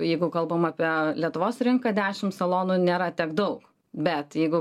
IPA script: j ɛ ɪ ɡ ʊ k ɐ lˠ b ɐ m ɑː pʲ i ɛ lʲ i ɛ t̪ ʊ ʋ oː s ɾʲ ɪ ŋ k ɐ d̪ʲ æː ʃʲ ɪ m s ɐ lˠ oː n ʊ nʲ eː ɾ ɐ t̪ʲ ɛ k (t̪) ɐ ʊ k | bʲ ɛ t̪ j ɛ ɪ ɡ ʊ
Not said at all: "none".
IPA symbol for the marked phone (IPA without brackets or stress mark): d̪